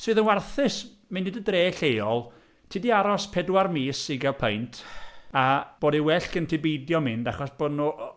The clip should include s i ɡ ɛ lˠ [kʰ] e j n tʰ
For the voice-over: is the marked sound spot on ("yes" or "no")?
no